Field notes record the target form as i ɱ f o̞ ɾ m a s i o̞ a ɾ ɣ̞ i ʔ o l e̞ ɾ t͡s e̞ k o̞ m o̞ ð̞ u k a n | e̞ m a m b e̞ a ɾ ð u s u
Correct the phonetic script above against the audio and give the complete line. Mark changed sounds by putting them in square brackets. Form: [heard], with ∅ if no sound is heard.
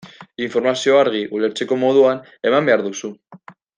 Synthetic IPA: i ɱ f o̞ ɾ m a s i o̞ a ɾ ɣ̞ i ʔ [u] l e̞ ɾ t͡s e̞ k o̞ m o̞ ð̞ u [∅] a n | e̞ m a m b e̞ a ɾ ð u s u